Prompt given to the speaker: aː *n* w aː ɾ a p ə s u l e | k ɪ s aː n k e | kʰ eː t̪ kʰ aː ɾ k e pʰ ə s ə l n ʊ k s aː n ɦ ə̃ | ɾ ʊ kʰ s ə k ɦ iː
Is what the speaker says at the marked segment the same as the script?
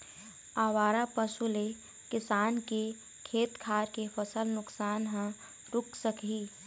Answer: no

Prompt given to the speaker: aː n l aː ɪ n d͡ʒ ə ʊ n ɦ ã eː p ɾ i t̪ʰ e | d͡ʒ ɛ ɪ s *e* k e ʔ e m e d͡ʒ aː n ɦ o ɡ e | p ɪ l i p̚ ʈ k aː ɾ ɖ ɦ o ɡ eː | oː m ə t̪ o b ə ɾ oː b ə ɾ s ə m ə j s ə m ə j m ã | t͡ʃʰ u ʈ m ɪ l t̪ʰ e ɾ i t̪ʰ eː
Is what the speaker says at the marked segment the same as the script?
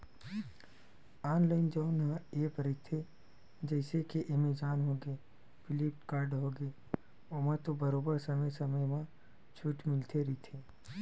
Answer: yes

